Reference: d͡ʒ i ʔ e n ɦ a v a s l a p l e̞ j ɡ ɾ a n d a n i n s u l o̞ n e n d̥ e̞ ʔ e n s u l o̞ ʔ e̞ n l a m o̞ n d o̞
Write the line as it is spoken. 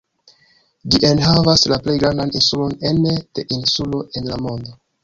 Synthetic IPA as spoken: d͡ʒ i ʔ e n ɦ a v a s l a p l e̞ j ɡ ɾ a n d a n i n s u l o̞ n e n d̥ e̞ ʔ i n s u l o̞ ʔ e̞ n l a m o̞ n d o̞